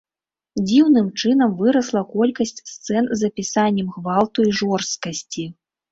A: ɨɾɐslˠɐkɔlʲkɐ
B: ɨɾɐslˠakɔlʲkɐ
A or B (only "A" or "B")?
A